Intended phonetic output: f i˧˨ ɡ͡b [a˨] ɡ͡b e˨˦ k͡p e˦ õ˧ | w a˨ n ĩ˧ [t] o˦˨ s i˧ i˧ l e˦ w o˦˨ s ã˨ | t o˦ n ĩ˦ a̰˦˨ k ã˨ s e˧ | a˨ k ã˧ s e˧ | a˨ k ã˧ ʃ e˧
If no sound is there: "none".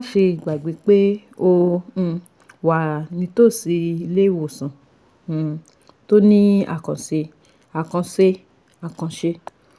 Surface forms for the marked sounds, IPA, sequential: a˨, t

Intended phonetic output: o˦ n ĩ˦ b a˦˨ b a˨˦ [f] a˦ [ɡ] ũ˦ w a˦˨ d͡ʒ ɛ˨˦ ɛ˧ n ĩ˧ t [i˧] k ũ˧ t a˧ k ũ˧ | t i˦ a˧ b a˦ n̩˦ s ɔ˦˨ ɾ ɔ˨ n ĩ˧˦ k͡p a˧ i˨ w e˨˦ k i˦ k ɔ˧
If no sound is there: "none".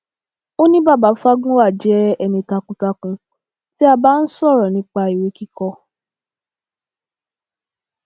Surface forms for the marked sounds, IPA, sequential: f, ɡ, a˧

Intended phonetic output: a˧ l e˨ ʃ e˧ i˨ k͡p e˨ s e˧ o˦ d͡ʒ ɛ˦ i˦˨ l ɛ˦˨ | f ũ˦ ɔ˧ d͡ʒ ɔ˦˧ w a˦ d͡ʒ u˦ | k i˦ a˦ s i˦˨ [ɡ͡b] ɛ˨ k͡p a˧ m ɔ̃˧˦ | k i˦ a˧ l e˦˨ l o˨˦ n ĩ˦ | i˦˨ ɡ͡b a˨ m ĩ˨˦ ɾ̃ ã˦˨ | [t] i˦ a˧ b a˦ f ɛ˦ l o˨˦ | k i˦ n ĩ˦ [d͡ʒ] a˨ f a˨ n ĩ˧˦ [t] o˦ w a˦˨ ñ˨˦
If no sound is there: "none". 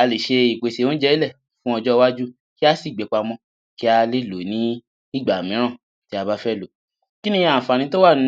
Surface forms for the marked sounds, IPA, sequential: ɡ͡b, t, none, t

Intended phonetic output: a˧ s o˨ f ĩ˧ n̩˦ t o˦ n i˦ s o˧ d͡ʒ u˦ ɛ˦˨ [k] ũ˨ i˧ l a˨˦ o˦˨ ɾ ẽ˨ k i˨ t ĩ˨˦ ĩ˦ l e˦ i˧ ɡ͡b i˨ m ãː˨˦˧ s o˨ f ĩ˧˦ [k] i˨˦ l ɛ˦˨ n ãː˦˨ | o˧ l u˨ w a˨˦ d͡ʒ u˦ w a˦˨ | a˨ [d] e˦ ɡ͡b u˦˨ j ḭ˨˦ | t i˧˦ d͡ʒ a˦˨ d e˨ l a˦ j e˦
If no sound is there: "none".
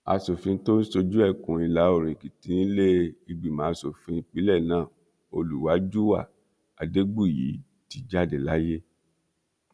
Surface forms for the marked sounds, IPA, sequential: k, k͡p, d

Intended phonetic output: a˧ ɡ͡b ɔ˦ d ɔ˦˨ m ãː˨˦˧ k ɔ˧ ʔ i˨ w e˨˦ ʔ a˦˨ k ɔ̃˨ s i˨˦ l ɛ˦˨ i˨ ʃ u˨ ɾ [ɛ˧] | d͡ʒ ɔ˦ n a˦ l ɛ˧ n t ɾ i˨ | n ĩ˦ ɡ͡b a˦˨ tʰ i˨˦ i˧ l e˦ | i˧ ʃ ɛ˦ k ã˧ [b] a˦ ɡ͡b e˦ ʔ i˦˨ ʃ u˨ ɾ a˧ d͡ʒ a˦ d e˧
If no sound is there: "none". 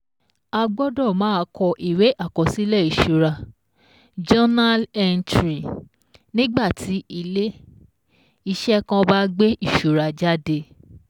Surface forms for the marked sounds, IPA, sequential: a˧, b

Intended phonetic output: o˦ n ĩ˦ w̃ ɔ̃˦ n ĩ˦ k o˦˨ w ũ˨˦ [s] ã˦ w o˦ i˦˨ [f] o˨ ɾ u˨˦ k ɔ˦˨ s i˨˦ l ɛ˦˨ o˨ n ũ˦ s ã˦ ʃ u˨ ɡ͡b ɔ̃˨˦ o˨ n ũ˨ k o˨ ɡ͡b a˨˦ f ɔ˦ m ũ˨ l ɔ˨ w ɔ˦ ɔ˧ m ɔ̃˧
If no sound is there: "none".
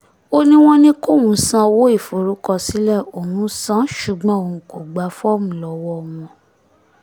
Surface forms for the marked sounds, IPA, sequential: s, f

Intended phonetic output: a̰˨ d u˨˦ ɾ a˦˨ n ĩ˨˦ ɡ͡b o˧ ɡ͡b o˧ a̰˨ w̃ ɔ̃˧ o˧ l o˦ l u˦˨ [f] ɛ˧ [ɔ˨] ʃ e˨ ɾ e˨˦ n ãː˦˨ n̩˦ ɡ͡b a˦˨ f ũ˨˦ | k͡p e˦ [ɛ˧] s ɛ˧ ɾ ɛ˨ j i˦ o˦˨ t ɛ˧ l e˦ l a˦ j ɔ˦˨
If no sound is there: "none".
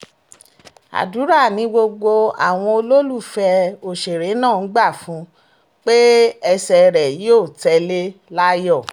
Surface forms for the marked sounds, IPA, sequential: f, o˨, ɛ˧

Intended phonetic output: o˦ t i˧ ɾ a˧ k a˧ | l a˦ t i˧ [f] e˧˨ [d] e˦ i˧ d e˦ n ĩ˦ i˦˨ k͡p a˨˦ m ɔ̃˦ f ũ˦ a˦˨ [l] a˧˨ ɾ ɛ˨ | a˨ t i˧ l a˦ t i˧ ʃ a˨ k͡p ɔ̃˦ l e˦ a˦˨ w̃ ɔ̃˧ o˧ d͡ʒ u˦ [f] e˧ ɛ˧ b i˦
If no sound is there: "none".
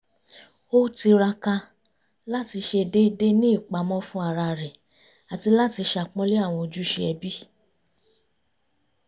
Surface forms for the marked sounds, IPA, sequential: ʃ, d, ɾ, ʃ

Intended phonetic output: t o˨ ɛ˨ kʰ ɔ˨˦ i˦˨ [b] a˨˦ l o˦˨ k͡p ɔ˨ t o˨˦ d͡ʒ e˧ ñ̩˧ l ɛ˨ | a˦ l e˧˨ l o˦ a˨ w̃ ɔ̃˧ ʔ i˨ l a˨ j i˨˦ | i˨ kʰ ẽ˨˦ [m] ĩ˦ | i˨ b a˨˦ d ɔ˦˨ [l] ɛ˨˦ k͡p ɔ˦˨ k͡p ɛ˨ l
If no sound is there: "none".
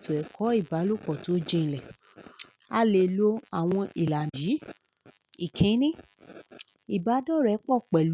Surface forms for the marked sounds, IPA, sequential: b, n, ɾ

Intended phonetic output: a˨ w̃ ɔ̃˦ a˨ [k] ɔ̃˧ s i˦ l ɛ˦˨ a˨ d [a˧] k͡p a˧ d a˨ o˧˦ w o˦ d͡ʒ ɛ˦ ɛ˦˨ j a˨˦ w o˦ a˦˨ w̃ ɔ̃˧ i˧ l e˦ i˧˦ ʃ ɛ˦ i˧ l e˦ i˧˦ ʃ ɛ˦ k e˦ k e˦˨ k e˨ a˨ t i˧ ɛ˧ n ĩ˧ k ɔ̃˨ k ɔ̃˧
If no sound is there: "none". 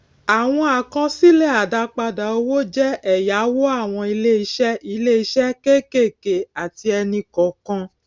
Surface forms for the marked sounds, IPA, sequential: k, a˧

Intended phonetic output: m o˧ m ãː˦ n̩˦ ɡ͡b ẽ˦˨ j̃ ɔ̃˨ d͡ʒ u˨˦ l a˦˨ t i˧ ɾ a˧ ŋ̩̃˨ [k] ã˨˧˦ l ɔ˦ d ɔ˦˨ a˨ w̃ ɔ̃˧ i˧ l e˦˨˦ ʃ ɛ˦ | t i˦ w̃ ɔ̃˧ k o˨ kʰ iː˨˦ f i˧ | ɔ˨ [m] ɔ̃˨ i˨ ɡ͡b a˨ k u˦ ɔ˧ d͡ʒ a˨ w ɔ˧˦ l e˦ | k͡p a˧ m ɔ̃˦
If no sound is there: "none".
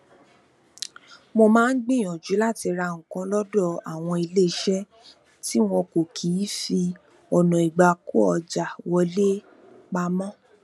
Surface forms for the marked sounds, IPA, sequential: k, n

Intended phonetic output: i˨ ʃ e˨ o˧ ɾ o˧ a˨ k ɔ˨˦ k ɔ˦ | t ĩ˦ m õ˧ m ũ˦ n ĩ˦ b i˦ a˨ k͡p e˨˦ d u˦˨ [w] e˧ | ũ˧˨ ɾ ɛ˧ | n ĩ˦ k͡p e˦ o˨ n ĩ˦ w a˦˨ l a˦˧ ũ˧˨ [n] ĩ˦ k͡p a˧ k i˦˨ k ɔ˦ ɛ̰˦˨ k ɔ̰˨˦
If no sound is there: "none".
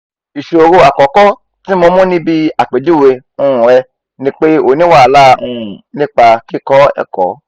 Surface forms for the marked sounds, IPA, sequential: w, n

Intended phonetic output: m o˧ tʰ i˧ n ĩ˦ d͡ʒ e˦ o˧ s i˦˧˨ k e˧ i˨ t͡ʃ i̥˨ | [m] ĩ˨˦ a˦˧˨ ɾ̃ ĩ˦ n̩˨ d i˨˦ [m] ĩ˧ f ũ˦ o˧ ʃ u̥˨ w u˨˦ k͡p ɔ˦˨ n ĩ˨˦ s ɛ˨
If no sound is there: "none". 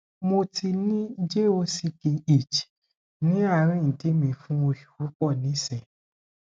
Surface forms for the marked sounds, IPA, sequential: n, m

